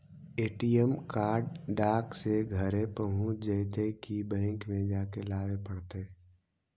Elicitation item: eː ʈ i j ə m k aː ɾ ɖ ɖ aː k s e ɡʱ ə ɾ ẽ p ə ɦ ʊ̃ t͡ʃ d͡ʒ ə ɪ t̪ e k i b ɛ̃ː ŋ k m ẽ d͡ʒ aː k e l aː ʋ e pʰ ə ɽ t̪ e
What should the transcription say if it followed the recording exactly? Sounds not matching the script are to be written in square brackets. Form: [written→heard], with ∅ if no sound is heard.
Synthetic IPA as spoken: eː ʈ i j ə m k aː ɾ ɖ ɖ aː k s e ɡʱ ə ɾ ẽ p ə ɦ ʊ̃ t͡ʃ d͡ʒ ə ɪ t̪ e k i b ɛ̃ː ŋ k m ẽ d͡ʒ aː k e l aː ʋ e [pʰ→p] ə ɽ t̪ e